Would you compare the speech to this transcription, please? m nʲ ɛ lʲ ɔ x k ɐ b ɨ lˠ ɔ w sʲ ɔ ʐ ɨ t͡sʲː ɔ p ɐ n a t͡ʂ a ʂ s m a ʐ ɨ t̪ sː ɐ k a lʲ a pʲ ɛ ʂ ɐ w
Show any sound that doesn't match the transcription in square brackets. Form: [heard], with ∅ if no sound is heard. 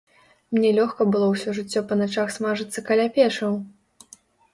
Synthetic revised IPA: m nʲ ɛ lʲ ɔ x k ɐ b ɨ lˠ ɔ w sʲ ɔ ʐ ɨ t͡sʲː ɔ p ɐ n a t͡ʂ a [x] s m a ʐ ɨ t̪ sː ɐ k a lʲ a pʲ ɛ ʂ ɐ w

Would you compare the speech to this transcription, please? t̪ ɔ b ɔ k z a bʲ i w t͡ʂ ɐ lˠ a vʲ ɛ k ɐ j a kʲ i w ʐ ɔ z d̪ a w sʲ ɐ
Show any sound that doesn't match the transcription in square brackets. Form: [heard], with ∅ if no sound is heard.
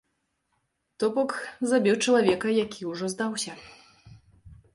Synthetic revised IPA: t̪ ɔ b ɔ k z a bʲ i w t͡ʂ ɐ lˠ a vʲ ɛ k ɐ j a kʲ i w ʐ ɔ z d̪ a w sʲ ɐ

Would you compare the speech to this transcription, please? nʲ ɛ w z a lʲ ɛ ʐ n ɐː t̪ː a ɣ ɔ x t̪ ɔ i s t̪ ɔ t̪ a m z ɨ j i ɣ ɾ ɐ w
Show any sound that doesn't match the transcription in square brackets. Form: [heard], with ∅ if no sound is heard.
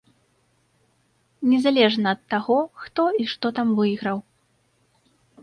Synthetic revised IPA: nʲ ɛ [∅] z a lʲ ɛ ʐ n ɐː t̪ː a ɣ ɔ x t̪ ɔ i [ʂ] t̪ ɔ t̪ a m [v] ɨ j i ɣ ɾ ɐ w

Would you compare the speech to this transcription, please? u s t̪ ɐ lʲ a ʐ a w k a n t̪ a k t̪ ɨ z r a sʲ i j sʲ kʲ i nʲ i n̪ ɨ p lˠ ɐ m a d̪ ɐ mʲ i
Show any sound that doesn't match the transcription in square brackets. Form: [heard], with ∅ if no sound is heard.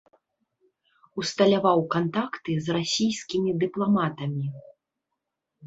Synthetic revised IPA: u s t̪ ɐ lʲ a [v] a w k a n t̪ a k t̪ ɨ z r a sʲ i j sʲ kʲ i [mʲ] i [d̪] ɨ p lˠ [a] m a [t̪] ɐ mʲ i

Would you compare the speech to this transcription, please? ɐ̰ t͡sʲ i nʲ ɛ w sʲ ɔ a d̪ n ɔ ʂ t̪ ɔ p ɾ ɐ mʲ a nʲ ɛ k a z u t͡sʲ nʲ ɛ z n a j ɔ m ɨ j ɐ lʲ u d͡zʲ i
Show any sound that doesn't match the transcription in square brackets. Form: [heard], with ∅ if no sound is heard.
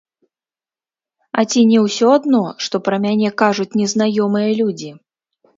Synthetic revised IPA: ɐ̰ t͡sʲ i nʲ ɛ w sʲ ɔ a d̪ n ɔ ʂ t̪ ɔ p ɾ ɐ mʲ a nʲ ɛ k a [ʐ] u t͡sʲ nʲ ɛ z n a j ɔ m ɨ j ɐ lʲ u d͡zʲ i

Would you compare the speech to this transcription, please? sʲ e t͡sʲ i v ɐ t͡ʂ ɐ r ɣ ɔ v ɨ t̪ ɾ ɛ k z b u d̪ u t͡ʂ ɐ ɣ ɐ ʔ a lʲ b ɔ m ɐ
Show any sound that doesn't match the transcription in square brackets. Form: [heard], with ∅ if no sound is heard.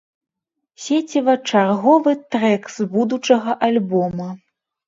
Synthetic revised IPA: sʲ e t͡sʲ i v ɐ t͡ʂ [a] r ɣ ɔ v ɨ t̪ ɾ ɛ k z b u d̪ u t͡ʂ ɐ ɣ ɐ ʔ a lʲ b ɔ m ɐ

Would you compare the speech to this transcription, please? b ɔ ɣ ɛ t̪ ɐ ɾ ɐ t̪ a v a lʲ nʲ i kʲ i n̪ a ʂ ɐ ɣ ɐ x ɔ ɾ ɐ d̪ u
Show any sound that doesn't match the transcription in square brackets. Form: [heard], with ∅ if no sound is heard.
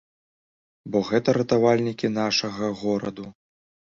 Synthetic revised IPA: b ɔ ɣ ɛ t̪ ɐ ɾ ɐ t̪ a v a lʲ nʲ i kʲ i n̪ a ʂ ɐ ɣ ɐ [ɣ] ɔ ɾ ɐ d̪ u

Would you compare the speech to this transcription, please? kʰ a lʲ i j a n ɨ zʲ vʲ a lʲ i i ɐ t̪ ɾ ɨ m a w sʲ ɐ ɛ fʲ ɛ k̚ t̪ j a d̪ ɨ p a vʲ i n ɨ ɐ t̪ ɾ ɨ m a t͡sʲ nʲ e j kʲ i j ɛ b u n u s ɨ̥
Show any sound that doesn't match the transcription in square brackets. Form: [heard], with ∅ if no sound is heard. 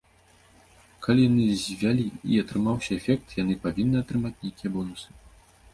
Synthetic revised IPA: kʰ a lʲ i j a n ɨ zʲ vʲ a lʲ i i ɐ t̪ ɾ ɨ m a w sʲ ɐ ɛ fʲ ɛ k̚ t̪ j a [n̪] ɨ p a vʲ i [nː] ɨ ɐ t̪ ɾ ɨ m a t͡sʲ nʲ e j kʲ i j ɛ b [ɔ] n u s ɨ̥

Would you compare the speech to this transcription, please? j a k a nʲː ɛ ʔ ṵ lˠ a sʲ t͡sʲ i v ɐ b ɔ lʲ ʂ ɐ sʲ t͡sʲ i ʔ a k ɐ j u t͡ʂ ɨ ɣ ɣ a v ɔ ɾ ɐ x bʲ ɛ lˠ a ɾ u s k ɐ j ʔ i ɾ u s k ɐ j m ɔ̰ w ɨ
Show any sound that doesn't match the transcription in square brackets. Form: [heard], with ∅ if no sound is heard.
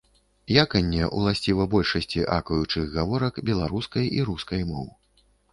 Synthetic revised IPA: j a k [ɐ] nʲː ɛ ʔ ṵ lˠ a sʲ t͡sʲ i v ɐ b ɔ lʲ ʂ ɐ sʲ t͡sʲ i ʔ a k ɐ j u t͡ʂ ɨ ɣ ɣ a v ɔ ɾ ɐ [k] bʲ ɛ lˠ a ɾ u s k ɐ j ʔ i ɾ u s k ɐ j m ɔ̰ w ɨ

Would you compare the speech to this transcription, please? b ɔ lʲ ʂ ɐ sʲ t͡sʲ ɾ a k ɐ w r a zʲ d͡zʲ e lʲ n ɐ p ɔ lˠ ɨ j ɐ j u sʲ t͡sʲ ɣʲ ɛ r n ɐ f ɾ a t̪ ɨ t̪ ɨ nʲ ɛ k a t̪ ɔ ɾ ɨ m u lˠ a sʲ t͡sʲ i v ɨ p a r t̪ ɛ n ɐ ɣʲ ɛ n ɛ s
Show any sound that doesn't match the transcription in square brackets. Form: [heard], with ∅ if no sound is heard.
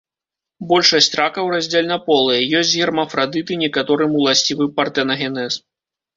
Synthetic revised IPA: b ɔ lʲ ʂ ɐ sʲ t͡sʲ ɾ a k ɐ w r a zʲ d͡zʲ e lʲ n ɐ p ɔ lˠ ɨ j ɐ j [ɔ] sʲ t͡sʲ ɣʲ ɛ r [m] ɐ f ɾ a [d̪] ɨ t̪ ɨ nʲ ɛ k a t̪ ɔ ɾ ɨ m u lˠ a sʲ t͡sʲ i v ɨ p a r t̪ ɛ n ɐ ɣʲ ɛ n ɛ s

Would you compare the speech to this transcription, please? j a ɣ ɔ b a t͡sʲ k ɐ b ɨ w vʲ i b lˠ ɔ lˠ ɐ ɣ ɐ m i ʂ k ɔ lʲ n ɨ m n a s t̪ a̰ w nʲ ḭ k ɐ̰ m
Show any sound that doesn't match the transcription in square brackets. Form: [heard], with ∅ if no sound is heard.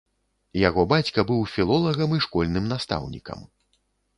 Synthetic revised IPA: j a ɣ ɔ b a t͡sʲ k ɐ b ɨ w [fʲ] i [∅] lˠ ɔ lˠ ɐ ɣ ɐ m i ʂ k ɔ lʲ n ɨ m n a s t̪ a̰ w nʲ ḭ k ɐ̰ m

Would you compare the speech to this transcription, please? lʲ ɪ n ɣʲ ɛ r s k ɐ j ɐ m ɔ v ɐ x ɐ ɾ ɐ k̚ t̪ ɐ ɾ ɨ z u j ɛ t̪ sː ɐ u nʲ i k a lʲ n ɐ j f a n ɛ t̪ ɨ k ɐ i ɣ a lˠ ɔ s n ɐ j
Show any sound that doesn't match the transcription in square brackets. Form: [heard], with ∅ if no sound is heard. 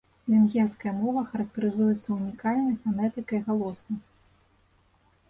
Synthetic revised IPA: lʲ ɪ n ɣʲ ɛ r s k ɐ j ɐ m ɔ v ɐ x ɐ ɾ ɐ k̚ t̪ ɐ ɾ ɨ z u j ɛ t̪ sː ɐ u nʲ i k a lʲ n ɐ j f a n ɛ t̪ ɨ k ɐ i ɣ a lˠ ɔ s n ɐ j

